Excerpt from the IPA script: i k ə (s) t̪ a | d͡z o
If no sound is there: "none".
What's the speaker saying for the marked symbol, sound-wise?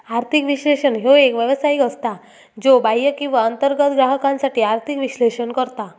s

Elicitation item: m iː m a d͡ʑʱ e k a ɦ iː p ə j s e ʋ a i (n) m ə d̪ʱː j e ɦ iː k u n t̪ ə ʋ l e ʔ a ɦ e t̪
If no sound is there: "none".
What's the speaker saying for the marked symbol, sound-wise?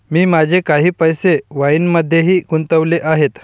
n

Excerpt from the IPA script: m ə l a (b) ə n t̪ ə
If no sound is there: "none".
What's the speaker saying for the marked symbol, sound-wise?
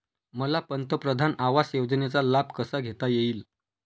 p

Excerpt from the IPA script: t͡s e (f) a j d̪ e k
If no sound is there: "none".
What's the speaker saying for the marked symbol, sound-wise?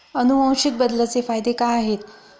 f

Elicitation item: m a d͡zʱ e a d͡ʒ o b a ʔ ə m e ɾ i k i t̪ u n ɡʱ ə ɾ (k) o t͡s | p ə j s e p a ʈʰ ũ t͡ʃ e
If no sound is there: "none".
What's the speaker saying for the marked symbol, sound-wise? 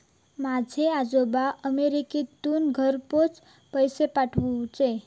p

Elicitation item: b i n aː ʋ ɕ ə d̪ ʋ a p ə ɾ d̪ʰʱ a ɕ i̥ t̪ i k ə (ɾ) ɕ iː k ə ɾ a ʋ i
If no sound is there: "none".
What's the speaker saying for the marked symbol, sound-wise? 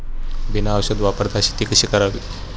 none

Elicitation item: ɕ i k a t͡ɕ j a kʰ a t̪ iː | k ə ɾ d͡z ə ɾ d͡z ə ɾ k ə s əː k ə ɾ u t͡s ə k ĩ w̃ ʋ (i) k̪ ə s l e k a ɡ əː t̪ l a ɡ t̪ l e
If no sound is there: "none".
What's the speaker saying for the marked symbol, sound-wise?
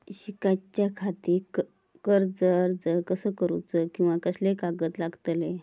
a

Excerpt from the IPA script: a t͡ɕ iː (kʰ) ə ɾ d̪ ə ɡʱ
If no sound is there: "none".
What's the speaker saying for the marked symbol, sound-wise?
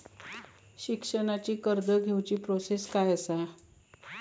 k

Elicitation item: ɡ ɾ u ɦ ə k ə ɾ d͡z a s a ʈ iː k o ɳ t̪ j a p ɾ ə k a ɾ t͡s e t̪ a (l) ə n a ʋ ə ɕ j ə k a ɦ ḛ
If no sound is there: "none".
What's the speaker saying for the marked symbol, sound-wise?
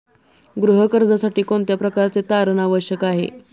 ɾ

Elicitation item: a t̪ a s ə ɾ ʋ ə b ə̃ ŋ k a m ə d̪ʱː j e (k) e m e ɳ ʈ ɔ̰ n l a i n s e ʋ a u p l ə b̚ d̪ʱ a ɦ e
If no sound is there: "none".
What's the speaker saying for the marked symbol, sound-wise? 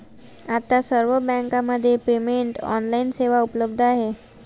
p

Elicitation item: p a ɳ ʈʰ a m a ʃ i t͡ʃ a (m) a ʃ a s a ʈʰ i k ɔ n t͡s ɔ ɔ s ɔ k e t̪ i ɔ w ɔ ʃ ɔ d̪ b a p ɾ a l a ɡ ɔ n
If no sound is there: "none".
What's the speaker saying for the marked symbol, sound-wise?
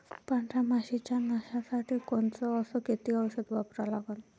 n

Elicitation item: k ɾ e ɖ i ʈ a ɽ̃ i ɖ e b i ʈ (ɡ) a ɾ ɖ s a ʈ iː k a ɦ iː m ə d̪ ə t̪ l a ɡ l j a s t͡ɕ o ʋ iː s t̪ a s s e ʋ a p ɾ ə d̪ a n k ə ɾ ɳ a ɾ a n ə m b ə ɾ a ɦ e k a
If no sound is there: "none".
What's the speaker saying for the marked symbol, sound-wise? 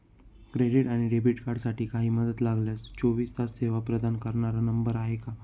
k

